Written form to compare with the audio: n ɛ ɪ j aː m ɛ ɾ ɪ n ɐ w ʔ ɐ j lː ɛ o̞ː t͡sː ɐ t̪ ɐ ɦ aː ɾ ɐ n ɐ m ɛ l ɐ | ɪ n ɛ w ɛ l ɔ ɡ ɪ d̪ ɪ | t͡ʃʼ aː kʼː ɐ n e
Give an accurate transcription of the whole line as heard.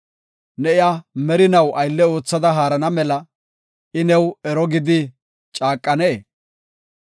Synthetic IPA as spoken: n ɛ ɪ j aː m ɛ ɾ ɪ n ɐ w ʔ ɐ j lː ɛ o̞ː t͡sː ɐ d̪ ɐ ɦ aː ɾ ɐ n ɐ m ɛ l ɐ | ɪ n ɛ w ɛ ɾ ɔ ɡ ɪ d̪ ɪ | t͡ʃʼ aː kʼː ɐ n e